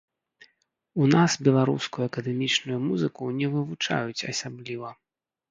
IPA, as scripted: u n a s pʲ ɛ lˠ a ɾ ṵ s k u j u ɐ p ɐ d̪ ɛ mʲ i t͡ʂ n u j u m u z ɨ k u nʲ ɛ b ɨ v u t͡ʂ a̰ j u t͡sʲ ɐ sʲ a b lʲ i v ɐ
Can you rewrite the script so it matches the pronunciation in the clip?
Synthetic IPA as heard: u n a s bʲ ɛ lˠ a ɾ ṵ s k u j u ɐ k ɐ d̪ ɛ mʲ i t͡ʂ n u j u m u z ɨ k u nʲ ɛ v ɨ v u t͡ʂ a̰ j u t͡sʲ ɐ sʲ a b lʲ i v ɐ

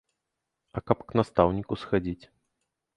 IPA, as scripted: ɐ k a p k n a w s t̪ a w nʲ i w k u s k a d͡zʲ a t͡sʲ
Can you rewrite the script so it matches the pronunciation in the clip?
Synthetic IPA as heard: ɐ k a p k n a s t̪ a w nʲ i k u s x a d͡zʲ i t͡sʲ

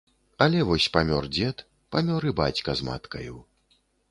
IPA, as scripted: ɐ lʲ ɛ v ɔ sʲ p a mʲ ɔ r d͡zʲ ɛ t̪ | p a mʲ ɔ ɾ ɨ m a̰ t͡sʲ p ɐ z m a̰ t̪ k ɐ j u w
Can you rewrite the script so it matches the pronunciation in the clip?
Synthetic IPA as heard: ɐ lʲ ɛ v ɔ sʲ p a mʲ ɔ r d͡zʲ ɛ t̪ | p a mʲ ɔ ɾ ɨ b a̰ t͡sʲ k ɐ z m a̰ t̪ k ɐ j u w

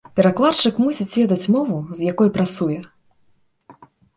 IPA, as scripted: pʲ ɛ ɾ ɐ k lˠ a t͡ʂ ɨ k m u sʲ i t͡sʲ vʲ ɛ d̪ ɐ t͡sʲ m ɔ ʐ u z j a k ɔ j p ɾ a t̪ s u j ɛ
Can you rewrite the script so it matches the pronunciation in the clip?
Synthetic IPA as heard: pʲ ɛ ɾ a k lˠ a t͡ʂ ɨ k m u sʲ i t͡sʲ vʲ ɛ d̪ ɐ t͡sʲ m ɔ v u z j a k ɔ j p ɾ a t̪ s u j ɛ

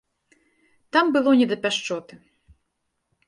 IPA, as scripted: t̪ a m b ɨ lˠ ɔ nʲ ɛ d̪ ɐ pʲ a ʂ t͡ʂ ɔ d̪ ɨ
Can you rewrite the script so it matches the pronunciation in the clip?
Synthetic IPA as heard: t̪ a m b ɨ lˠ ɔ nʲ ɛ d̪ ɐ pʲ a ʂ t͡ʂ ɔ t̪ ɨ

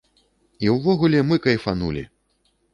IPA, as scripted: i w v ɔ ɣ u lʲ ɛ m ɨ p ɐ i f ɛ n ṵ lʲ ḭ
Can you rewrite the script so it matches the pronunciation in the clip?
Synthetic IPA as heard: i w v ɔ ɣ u lʲ ɛ m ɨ k ɐ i f a n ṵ lʲ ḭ

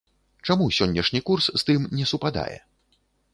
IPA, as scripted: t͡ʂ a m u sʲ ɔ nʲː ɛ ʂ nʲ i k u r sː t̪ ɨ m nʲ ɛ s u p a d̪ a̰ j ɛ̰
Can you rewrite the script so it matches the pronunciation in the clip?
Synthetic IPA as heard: t͡ʂ a m u sʲ ɔ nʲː ɛ ʂ nʲ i k u r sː t̪ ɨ m nʲ ɛ s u p a d̪ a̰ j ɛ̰

